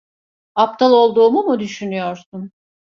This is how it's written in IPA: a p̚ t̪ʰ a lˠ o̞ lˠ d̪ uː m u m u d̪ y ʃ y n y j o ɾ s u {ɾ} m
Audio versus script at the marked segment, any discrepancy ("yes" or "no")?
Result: yes